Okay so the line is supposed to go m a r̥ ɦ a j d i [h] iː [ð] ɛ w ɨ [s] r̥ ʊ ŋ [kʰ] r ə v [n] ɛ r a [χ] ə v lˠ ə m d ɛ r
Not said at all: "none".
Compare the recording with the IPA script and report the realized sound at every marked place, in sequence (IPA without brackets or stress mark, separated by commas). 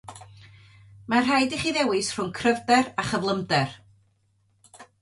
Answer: χ, ð, s, kʰ, d, χ